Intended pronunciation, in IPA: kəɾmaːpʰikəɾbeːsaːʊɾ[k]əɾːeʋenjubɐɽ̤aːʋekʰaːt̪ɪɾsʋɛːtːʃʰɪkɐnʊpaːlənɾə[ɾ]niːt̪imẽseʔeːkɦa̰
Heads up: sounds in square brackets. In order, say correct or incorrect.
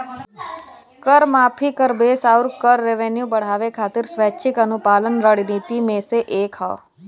correct, incorrect: ɽ

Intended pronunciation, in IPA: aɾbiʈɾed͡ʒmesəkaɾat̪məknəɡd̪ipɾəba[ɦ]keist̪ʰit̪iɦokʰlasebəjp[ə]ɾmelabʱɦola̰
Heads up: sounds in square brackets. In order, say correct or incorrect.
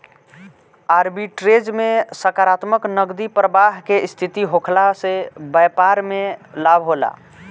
correct, incorrect: a

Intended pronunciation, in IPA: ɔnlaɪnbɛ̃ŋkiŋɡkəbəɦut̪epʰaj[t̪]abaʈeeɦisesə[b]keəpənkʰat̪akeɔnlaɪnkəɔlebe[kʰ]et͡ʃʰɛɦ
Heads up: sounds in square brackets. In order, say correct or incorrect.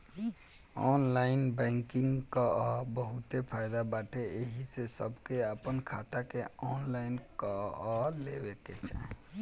incorrect: d̪, correct, incorrect: k

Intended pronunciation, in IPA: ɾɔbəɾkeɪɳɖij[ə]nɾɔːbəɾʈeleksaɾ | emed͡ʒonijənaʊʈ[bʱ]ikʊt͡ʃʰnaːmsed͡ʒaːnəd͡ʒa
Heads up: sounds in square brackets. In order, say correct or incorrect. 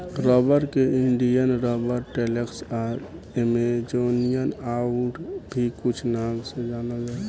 correct, correct

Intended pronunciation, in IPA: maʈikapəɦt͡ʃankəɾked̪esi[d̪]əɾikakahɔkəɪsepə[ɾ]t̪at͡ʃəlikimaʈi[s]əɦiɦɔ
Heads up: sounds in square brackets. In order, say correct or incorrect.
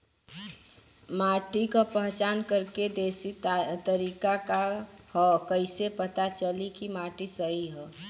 incorrect: t̪, incorrect: none, correct

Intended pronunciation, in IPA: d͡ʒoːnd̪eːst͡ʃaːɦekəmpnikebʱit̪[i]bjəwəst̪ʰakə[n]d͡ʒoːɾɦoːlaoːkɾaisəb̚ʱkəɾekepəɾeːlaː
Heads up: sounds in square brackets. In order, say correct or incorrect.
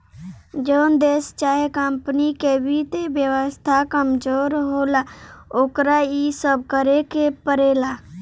incorrect: e, incorrect: m

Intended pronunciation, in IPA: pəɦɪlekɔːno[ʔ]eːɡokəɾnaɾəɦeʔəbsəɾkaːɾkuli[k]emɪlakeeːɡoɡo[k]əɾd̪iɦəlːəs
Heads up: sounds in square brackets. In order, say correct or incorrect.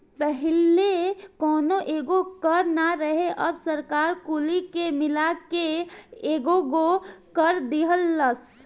correct, correct, correct

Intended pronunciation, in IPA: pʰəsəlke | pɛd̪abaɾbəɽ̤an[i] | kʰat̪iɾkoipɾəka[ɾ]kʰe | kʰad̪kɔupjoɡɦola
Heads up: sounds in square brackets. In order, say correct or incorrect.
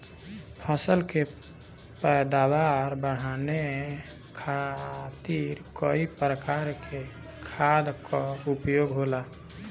incorrect: e, correct

